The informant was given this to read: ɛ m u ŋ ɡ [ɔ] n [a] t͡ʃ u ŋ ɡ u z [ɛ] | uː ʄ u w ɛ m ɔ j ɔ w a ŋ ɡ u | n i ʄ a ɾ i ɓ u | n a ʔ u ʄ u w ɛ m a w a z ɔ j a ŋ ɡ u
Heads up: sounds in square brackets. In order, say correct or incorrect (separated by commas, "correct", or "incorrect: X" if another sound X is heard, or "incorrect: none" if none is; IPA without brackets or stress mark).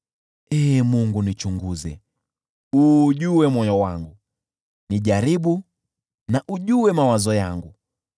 incorrect: u, incorrect: i, correct